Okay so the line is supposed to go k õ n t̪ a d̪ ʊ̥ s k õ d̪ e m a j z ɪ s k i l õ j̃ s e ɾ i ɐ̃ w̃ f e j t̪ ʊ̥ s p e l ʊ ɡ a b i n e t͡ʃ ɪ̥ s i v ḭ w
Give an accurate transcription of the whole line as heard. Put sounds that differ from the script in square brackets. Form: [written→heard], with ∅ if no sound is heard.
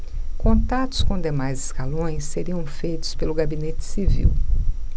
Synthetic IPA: k õ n t̪ a [d̪→t̪] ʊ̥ s k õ d̪ e m a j z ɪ s k [i→a] l õ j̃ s e ɾ i ɐ̃ w̃ f e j t̪ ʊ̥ s p e l ʊ ɡ a b i n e t͡ʃ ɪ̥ s i v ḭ w